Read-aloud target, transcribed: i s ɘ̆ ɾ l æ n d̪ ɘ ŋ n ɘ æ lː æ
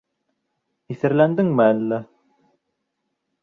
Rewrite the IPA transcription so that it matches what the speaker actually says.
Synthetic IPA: i θ ɘ̆ ɾ l æ n d̪ ɘ ŋ m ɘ æ lː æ

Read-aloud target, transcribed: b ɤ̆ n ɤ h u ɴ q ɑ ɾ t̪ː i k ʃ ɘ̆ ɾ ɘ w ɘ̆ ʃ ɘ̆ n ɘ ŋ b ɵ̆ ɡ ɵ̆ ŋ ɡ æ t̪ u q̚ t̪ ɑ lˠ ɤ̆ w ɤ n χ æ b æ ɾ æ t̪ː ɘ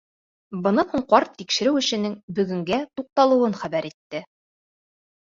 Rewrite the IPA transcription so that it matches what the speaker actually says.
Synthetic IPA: b ɤ̆ n ɤ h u ɴ q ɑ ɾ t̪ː i k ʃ ɘ̆ ɾ ɘ w ɘ̆ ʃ ɘ̆ n ɘ ŋ b ɵ̆ ɡ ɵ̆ ŋ ɡ æ t̪ u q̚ t̪ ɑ lˠ ɤ̆ w ɤ n χ æ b æ ɾ i t̪ː ɘ

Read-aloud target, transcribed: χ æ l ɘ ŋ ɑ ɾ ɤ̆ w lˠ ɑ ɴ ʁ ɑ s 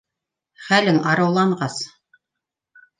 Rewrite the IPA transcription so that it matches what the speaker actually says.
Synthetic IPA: χ æ l ɘ ŋ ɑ ɾ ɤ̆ w lˠ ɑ ɴ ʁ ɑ s

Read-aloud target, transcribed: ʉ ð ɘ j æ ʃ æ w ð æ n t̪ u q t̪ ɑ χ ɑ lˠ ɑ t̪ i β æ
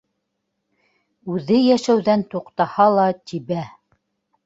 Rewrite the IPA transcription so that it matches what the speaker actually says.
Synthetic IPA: ʉ ð ɘ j æ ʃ æ w ð æ n t̪ u q t̪ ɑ h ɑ lˠ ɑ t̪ i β æ

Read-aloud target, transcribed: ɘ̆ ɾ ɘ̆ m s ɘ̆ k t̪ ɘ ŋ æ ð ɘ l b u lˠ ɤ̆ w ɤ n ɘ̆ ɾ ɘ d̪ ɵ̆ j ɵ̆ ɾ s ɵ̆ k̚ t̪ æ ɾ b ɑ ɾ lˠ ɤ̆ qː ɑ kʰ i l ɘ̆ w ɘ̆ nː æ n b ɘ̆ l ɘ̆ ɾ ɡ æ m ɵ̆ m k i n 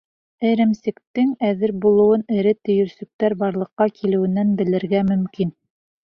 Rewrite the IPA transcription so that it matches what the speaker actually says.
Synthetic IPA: ɘ̆ ɾ ɘ̆ m s ɘ̆ k t̪ ɘ ŋ æ ð ɘ ɾ b u lˠ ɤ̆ w ɤ n ɘ̆ ɾ ɘ t̪ ɵ̆ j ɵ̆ ɾ s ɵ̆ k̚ t̪ æ ɾ b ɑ ɾ lˠ ɤ̆ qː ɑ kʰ i l ɘ̆ w ɘ̆ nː æ n b ɘ̆ l ɘ̆ ɾ ɡ æ m ɵ̆ m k i n

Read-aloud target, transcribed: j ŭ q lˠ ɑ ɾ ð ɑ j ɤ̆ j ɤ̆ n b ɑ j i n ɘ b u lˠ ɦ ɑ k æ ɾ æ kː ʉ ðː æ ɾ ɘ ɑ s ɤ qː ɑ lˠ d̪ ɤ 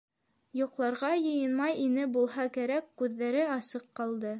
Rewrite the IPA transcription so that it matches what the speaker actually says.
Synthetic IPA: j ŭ q lˠ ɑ ɾ ʁ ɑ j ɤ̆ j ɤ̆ n m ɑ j i n ɘ b u lˠ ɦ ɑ k æ ɾ æ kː ʉ ðː æ ɾ ɘ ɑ s ɤ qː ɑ lˠ d̪ ɤ

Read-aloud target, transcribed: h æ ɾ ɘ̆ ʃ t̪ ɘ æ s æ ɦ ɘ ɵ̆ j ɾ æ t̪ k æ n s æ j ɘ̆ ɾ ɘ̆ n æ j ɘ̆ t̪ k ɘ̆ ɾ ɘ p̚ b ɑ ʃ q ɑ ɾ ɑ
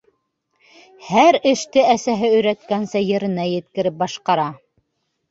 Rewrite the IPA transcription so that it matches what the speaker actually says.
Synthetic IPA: h æ ɾ ɘ̆ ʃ t̪ ɘ æ s æ ɦ ɘ ɵ̆ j ɾ æ t̪ k æ n s æ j ɘ̆ ɾ ɘ̆ n æ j ɘ̆ t̪ k ɘ̆ ɾ ɘ p̚ b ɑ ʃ q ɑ ɾ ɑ

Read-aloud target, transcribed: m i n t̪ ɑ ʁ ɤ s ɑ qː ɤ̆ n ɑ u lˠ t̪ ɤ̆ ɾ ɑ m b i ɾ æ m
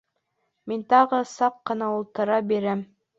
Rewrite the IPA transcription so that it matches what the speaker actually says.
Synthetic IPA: m i n t̪ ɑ ʁ ɤ s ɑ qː ɤ̆ n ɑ u lˠ t̪ ɤ̆ ɾ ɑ b i ɾ æ m

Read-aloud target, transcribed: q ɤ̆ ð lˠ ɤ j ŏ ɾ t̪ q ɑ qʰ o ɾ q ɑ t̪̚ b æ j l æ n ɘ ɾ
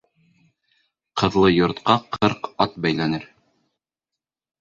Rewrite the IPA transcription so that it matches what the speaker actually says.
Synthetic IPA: q ɤ̆ ð lˠ ɤ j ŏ ɾ t̪ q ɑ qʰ ɤ ɾ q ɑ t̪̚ b æ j l æ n ɘ ɾ

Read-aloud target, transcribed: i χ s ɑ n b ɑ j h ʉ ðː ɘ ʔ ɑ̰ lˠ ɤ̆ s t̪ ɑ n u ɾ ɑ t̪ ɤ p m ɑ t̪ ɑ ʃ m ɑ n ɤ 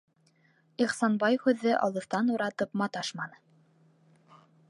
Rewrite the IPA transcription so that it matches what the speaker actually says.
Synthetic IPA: i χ s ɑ n b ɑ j h ʉ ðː ɘ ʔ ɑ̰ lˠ ɤ̆ θ t̪ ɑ n u ɾ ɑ t̪ ɤ p m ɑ t̪ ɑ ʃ m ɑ n ɤ

